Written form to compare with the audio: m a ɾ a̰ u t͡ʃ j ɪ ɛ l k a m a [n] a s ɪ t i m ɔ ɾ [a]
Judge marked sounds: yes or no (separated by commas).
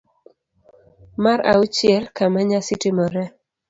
no, no